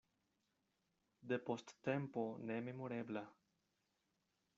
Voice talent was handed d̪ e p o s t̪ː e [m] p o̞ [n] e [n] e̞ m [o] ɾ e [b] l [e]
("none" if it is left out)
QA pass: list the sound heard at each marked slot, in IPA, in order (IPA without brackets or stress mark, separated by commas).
m, n, m, o, b, a